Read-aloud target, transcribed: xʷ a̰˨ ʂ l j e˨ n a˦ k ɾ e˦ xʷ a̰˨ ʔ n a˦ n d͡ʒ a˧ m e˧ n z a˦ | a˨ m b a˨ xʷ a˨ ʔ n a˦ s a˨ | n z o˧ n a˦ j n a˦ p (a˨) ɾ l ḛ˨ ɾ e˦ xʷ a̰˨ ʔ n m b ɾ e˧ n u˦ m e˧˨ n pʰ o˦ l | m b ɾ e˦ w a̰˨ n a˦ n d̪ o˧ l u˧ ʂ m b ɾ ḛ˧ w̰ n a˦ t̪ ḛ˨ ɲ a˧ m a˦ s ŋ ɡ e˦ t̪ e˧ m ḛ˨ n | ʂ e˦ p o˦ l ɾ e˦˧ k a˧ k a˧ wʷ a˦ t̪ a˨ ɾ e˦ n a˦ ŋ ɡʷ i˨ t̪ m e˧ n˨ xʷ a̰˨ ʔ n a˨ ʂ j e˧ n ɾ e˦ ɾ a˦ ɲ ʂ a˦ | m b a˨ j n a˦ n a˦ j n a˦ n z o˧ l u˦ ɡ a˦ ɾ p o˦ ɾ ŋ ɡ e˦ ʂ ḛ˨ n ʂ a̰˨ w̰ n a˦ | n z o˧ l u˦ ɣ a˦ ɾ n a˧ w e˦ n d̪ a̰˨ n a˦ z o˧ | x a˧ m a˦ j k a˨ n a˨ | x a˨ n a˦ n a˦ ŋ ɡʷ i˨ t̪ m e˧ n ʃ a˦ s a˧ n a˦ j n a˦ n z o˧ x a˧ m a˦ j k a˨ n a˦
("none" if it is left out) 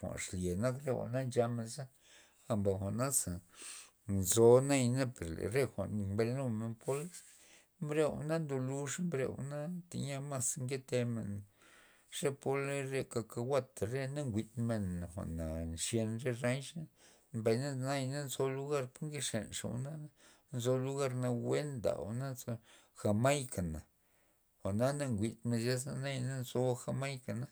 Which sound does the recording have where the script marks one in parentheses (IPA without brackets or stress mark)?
e˨